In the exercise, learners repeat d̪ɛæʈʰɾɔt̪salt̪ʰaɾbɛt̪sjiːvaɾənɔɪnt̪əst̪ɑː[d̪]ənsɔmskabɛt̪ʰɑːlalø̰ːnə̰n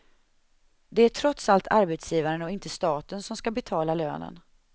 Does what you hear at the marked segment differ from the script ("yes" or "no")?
yes